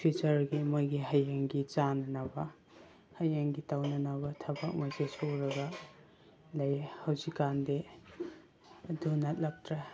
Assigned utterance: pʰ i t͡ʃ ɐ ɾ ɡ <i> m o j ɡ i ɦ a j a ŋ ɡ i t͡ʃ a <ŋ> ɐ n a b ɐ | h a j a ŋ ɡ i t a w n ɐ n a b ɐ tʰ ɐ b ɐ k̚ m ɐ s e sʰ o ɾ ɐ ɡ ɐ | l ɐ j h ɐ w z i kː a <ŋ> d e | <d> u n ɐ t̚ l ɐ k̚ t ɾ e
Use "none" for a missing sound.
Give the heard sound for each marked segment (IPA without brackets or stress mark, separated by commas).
i, n, n, d